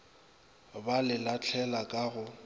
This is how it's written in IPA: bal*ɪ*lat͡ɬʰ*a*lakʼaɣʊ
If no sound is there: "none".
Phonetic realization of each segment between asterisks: ɪ, ɛ

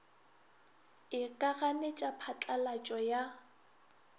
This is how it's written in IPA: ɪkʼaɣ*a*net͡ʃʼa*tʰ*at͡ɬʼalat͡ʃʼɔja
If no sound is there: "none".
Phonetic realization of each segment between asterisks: a, pʰ

